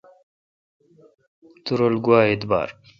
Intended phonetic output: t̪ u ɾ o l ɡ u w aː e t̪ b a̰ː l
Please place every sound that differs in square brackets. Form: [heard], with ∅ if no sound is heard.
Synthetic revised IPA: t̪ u ɾ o l ɡ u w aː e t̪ b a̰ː [ɾ]